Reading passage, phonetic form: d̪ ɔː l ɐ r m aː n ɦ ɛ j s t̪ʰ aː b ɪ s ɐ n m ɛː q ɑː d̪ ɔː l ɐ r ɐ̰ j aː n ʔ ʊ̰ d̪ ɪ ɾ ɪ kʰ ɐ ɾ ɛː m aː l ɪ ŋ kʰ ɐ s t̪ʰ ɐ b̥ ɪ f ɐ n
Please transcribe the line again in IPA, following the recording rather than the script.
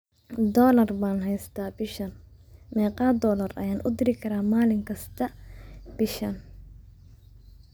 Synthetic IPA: d̪ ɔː l ɐ r b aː n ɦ ɛ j s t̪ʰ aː b ɪ ʃ ɐ n m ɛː q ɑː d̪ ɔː l ɐ r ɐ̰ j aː n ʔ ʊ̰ d̪ ɪ ɾ ɪ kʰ ɐ ɾ aː m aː l ɪ ŋ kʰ ɐ s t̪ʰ ɐ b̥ ɪ ʃ ɐ n

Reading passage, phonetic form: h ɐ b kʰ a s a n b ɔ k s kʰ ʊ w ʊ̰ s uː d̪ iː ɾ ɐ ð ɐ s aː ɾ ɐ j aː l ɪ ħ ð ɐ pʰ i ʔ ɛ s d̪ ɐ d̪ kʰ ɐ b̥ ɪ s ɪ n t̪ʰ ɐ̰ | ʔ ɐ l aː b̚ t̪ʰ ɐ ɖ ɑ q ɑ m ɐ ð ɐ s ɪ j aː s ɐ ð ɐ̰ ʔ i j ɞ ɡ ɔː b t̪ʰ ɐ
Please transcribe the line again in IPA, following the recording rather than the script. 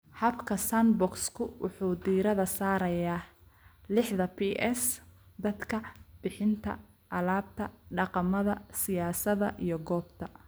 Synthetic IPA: h ɐ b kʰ ɐ s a n b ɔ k s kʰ ʊ w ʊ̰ ħ uː d̪ iː ɾ ɐ ð ɐ s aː ɾ ɐ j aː l ɪ ħ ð ɐ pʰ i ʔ ɛ s d̪ ɐ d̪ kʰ ɐ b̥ ɪ ħ ɪ n t̪ʰ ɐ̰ | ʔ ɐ l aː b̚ t̪ʰ ɐ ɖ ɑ q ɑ m ɐ ð ɐ s ɪ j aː s ɐ ð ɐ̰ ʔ i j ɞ ɡ ɔː b t̪ʰ ɐ

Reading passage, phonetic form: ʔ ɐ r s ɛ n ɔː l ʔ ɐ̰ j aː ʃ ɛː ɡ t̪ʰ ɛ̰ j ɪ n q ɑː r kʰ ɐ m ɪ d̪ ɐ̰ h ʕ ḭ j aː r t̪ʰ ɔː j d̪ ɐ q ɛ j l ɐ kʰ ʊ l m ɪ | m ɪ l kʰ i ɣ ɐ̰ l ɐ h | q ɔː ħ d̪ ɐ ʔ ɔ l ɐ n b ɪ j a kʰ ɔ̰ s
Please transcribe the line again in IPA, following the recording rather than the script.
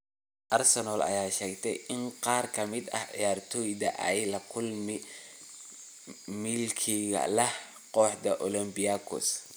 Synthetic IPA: ʔ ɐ r s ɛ n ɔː l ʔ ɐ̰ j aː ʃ ɛː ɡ t̪ʰ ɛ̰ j ɪ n q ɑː r kʰ ɐ m ɪ d̪ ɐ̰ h ʕ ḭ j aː r t̪ʰ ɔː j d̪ ɐ ʔ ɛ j l ɐ kʰ ʊ l m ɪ | m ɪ l kʰ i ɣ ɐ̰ l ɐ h | q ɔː ħ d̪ ɐ ʔ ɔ l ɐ m b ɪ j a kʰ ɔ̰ s

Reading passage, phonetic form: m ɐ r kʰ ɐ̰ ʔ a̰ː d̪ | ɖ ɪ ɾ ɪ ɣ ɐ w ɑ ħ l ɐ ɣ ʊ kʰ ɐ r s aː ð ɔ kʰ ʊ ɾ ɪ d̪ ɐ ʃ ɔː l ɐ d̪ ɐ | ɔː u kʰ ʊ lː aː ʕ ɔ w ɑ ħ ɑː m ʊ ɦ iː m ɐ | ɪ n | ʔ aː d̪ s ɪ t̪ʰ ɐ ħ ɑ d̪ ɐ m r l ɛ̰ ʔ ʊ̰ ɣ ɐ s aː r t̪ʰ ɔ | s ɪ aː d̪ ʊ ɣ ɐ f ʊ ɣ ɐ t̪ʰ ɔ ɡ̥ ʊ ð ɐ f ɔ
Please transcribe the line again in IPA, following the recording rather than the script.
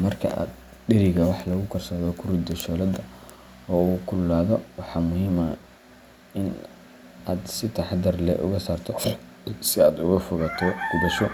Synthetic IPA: m ɐ r kʰ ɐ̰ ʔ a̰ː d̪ | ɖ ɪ ɾ ɪ ɣ ɐ w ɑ ħ l ɐ ɣ ʊ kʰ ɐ r s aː ð ɔ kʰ ʊ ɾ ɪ d̪ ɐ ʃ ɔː l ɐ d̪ ɐ | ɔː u kʰ ʊ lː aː ð ɔ w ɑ ħ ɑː m ʊ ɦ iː m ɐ | ɪ n | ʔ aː d̪ s ɪ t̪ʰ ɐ ħ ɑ d̪ ɐ r l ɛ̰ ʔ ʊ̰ ɣ ɐ s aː r t̪ʰ ɔ | s ɪ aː d̪ ʊ ɣ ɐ f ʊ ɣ ɐ t̪ʰ ɔ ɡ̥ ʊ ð ɐ ʃ ɔ

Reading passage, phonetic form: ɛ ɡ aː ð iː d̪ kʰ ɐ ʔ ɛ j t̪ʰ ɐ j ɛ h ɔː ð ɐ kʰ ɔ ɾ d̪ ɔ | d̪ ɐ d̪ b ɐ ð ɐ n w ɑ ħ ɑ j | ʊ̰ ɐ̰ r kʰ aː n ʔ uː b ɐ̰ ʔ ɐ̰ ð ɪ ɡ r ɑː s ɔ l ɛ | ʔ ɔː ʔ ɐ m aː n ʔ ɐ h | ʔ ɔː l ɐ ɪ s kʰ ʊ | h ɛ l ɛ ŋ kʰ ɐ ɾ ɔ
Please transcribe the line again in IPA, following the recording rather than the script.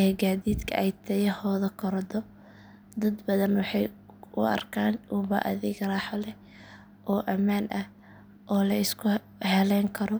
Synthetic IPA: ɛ ɡ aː ð iː d̪ kʰ ɐ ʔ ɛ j t̪ʰ ɐ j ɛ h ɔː ð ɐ kʰ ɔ ɾ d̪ ɔ | d̪ ɐ d̪ b ɐ ð ɐ n w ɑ ħ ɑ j | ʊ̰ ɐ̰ r kʰ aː n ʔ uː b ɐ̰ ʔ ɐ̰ ð ɪ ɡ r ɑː ħ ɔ l ɛ | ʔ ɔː ʔ ɐ m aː n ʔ ɐ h | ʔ ɔː l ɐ ɪ s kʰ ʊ | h ɛ l ɛ ŋ kʰ ɐ ɾ ɔ

